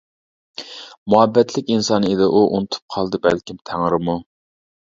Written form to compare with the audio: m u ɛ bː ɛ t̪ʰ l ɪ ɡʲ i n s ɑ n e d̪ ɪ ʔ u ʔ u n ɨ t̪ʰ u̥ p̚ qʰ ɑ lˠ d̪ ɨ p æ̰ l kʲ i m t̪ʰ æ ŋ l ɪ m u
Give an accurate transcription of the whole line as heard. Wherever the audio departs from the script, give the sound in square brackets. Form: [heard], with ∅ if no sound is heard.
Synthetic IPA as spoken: m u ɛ bː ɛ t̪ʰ l ɪ [kʲ] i n s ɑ n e d̪ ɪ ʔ u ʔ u n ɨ t̪ʰ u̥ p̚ qʰ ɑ lˠ d̪ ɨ [b] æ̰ l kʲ i m t̪ʰ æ ŋ [ɾ] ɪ m u